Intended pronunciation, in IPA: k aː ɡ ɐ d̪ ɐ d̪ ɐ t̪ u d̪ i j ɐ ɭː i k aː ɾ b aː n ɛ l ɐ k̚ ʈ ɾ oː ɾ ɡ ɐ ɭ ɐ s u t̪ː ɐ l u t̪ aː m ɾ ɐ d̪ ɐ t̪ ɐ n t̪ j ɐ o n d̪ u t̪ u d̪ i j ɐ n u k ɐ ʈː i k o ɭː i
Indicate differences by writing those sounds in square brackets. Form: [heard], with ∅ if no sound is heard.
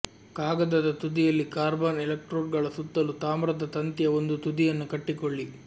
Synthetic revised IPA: k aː ɡ ɐ d̪ ɐ d̪ ɐ t̪ u d̪ i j ɐ [lː] i k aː ɾ b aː n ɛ l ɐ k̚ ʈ ɾ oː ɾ ɡ ɐ ɭ ɐ s u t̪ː ɐ l u t̪ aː m ɾ ɐ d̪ ɐ t̪ ɐ n t̪ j ɐ o n d̪ u t̪ u d̪ i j ɐ [nː] u k ɐ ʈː i k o ɭː i